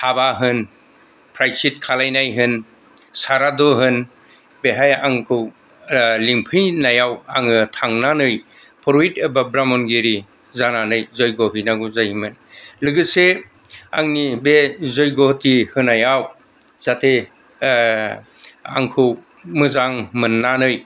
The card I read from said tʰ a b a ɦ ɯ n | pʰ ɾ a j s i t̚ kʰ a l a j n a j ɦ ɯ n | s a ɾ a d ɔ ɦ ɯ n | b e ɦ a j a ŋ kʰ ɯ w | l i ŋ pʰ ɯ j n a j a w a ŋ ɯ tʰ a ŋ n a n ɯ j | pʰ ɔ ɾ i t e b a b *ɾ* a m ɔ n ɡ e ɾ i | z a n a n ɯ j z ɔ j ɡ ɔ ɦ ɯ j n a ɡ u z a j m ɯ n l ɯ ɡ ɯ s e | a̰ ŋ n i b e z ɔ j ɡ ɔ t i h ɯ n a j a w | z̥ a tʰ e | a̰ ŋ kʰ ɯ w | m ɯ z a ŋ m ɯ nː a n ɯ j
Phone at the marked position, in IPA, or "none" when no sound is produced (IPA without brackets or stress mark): ɾ